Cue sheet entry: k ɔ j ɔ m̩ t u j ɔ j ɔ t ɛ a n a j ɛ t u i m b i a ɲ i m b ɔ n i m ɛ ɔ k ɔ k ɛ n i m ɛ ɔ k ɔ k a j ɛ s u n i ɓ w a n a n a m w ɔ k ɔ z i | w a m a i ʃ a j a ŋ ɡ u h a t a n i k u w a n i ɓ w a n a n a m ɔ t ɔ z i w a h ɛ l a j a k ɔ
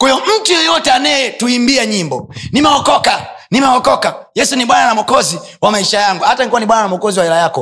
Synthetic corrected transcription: k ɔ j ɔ m̩ t u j ɔ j ɔ t ɛ a n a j ɛ t u i m b i a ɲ i m b ɔ n i m ɛ ɔ k ɔ k a n i m ɛ ɔ k ɔ k a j ɛ s u n i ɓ w a n a n a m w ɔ k ɔ z i | w a m a i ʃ a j a ŋ ɡ u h a t a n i k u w a n i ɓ w a n a n a m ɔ k ɔ z i w a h ɛ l a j a k ɔ